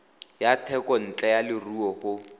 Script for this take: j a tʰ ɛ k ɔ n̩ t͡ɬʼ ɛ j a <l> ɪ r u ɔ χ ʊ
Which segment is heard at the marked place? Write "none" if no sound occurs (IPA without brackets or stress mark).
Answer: l